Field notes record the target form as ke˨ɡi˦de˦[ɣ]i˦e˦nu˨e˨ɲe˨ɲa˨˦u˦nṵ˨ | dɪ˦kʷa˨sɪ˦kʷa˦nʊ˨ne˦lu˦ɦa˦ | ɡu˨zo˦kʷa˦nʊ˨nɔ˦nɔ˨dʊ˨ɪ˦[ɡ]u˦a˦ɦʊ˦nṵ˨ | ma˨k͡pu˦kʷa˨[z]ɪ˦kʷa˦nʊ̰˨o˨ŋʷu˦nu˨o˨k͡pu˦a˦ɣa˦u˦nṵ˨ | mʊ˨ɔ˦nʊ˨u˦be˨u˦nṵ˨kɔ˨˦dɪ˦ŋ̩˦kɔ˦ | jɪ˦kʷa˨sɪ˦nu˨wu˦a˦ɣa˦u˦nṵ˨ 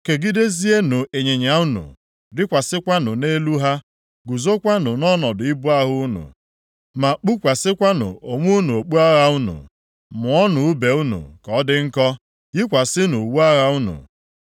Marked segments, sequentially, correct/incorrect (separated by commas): incorrect, incorrect, incorrect